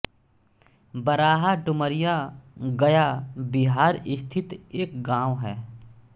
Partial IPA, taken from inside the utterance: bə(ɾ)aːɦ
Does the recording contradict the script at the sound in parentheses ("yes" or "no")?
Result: no